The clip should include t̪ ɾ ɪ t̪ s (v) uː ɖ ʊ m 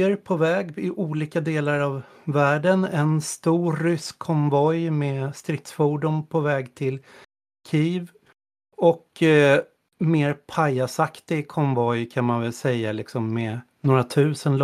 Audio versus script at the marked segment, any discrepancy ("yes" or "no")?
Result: yes